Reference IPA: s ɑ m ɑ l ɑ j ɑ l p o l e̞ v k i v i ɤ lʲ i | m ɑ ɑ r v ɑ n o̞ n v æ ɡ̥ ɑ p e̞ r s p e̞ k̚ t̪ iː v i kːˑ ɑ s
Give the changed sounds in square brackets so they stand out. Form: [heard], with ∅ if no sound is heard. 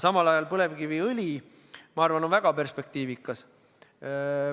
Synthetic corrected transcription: s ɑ m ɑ l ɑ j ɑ l p [ɤ] l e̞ v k i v i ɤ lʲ i | m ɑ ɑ r v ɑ n o̞ n v æ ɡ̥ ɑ p e̞ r s p e̞ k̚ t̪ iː v i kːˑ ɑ s